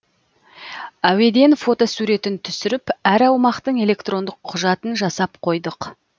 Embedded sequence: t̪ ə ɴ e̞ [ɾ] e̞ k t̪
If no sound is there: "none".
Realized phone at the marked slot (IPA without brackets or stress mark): l